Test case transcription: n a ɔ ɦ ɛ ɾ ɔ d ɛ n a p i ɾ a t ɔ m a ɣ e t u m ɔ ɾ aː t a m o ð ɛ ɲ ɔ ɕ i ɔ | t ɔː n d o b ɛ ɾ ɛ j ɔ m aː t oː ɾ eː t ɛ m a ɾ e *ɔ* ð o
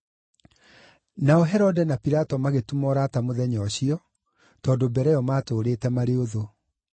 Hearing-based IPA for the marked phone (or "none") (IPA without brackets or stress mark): o